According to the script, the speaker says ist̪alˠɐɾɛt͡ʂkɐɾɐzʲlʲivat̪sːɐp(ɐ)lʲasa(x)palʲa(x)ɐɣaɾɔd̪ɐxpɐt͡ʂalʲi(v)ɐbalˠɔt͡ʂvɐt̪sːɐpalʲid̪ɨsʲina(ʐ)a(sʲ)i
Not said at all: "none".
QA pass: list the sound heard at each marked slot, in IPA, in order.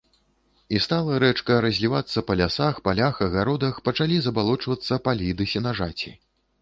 ɐ, x, x, z, ʐ, t͡sʲ

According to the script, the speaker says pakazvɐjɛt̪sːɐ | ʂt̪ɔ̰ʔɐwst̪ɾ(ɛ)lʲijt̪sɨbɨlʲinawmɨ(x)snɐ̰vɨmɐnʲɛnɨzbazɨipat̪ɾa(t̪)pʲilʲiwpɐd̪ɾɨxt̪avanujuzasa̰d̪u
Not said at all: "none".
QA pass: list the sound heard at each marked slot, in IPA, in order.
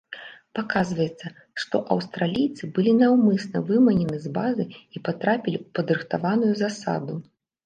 a, none, none

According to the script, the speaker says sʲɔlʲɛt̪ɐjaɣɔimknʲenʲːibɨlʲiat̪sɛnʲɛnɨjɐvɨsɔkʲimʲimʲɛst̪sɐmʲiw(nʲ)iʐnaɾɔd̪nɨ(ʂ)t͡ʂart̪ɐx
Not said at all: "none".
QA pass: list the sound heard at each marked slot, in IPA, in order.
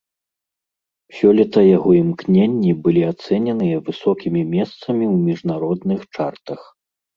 mʲ, x

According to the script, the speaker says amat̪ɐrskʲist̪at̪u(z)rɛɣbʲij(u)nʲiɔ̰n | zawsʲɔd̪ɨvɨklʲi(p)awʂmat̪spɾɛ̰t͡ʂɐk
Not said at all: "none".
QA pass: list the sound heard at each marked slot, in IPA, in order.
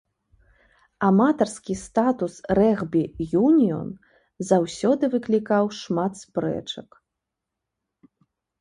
s, u, k

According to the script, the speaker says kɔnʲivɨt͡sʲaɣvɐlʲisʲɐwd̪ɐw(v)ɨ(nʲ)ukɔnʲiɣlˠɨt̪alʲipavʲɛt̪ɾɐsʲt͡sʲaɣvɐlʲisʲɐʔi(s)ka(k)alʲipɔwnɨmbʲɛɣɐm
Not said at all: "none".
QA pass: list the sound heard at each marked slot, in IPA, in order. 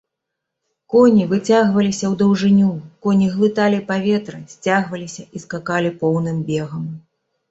ʐ, nʲ, s, k

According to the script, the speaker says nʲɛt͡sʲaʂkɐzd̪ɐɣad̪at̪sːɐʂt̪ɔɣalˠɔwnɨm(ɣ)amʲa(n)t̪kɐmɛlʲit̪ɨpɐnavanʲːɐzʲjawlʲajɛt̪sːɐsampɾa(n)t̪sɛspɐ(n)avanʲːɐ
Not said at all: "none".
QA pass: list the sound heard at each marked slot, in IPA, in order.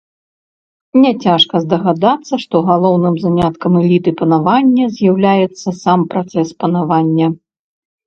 z, none, none, n

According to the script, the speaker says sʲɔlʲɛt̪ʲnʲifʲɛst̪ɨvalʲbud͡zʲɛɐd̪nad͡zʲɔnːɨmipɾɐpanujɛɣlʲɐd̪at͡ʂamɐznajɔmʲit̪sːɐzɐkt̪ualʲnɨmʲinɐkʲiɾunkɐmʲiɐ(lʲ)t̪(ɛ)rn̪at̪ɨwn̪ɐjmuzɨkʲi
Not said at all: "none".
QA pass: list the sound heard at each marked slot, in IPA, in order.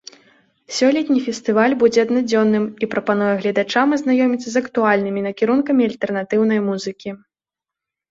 lʲ, ɛ

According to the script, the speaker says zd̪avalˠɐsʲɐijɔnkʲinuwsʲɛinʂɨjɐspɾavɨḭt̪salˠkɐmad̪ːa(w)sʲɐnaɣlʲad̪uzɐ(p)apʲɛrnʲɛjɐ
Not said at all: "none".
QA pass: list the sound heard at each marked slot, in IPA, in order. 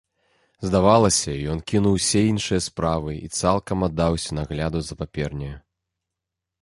w, p

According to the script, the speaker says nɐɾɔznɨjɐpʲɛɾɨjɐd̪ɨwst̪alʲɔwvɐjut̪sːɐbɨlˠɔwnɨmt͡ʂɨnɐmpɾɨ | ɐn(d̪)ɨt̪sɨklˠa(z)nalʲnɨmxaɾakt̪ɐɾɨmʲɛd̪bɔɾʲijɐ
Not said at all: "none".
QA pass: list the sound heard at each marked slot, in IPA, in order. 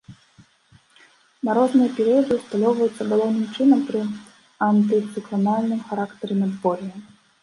t̪, none

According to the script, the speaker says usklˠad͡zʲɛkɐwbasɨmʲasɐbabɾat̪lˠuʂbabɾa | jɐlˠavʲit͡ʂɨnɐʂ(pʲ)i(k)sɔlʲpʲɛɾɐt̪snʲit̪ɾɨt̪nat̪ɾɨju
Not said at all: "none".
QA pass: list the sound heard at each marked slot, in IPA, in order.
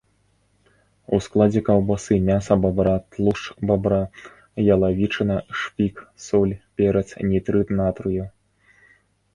pʲ, k

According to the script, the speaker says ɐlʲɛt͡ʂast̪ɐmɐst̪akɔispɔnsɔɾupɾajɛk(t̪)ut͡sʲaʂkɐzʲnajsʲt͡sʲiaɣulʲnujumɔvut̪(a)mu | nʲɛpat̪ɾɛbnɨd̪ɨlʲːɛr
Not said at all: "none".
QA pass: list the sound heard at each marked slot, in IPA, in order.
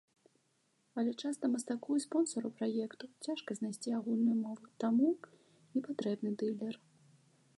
t̪, a

